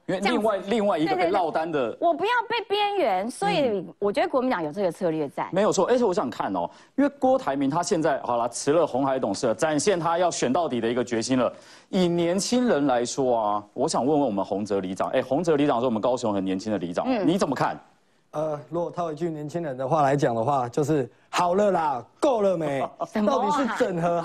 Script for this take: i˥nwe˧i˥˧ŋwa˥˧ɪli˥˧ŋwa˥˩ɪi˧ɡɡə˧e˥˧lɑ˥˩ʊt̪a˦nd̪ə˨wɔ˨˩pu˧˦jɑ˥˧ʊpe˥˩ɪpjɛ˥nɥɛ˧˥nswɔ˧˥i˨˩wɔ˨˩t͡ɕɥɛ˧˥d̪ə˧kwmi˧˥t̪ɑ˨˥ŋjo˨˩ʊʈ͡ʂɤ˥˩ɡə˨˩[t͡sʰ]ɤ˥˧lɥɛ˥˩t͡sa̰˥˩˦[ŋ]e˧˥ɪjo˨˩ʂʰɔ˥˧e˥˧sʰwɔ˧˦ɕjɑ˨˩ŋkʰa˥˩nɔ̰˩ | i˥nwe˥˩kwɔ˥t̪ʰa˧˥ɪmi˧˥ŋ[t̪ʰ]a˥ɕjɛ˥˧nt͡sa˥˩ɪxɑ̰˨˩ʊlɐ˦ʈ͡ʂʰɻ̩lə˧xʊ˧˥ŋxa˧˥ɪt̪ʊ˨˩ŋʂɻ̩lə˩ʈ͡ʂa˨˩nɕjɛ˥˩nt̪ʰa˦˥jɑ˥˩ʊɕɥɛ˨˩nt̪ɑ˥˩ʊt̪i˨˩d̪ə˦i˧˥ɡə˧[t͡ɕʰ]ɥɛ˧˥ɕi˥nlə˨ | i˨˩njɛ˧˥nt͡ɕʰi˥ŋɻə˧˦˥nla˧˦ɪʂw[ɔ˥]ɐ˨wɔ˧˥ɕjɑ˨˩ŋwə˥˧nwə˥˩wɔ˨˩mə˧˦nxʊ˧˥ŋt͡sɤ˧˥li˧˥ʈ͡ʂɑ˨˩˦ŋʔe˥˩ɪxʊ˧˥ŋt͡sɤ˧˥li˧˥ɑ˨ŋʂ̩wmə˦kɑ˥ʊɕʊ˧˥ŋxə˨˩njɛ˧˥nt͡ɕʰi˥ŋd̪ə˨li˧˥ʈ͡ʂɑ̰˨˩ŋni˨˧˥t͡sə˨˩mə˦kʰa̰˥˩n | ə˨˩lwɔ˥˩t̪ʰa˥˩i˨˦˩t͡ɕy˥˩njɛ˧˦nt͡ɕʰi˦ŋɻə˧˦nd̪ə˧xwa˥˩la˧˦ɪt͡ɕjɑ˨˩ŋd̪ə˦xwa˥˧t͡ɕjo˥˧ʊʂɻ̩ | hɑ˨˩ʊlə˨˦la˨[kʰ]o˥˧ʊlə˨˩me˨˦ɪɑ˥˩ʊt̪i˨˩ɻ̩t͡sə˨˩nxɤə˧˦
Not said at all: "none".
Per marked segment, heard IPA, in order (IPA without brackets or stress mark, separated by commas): t͡sʰ, m, t̪ʰ, t͡ɕ, ɔ˥, k